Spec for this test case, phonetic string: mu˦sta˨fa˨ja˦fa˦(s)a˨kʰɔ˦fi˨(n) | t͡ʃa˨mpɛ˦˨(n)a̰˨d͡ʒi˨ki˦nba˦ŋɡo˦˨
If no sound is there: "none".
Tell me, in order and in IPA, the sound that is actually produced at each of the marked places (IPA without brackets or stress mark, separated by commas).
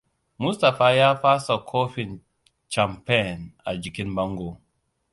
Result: s, n, n